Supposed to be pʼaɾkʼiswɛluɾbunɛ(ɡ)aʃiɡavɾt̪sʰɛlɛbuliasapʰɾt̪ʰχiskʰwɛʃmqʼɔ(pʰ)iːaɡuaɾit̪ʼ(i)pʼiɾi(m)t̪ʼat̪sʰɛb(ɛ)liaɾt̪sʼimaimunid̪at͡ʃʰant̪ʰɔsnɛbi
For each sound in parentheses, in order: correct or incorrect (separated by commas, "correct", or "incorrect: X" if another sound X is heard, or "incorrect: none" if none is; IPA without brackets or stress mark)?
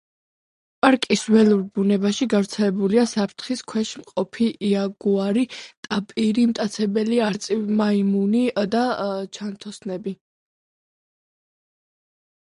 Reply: incorrect: b, correct, incorrect: a, correct, correct